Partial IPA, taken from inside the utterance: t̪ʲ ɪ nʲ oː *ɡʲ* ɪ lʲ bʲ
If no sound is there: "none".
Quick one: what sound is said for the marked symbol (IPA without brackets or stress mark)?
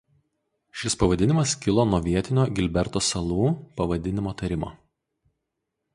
ɡʲ